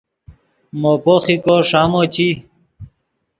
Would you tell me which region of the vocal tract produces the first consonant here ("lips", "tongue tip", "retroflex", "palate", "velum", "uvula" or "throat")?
lips